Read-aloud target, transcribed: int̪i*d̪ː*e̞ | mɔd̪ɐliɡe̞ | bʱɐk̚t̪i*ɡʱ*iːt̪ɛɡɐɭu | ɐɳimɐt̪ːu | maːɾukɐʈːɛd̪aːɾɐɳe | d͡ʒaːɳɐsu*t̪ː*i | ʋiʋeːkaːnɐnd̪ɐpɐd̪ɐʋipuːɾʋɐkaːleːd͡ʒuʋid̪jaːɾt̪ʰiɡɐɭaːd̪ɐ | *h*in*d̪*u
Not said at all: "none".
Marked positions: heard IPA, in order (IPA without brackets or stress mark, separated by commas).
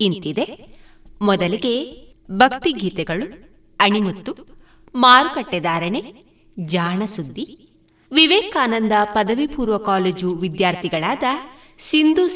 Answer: d̪, ɡʱ, d̪ː, s, d̪